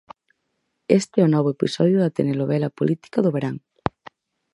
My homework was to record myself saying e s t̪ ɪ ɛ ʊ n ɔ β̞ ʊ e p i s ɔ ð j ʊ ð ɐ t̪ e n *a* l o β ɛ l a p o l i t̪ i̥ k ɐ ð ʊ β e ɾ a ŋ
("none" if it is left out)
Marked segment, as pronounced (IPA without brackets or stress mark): e